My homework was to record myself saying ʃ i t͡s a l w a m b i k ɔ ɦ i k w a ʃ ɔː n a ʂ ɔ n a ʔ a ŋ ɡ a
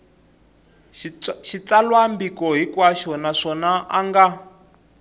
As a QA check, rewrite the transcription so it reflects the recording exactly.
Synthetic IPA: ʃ i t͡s a l w a m b i k ɔ ɦ i k w a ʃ ɔ n a ʂ ɔ n a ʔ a ŋ ɡ a